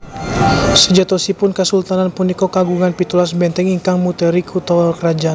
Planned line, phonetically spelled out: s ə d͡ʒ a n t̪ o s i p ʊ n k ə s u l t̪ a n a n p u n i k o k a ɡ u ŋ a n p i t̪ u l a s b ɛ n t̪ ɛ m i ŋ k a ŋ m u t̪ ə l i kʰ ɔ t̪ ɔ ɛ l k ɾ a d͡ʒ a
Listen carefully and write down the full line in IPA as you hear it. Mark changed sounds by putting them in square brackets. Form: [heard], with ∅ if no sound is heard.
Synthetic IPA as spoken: s ə d͡ʒ a [∅] t̪ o s i p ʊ n k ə s u l t̪ a n a n p u n i k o k a ɡ u ŋ a n p i t̪ u l a s b ɛ n t̪ ɛ [ŋ] i ŋ k a ŋ m u t̪ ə [ɾ] i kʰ [u] t̪ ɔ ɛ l k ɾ a d͡ʒ a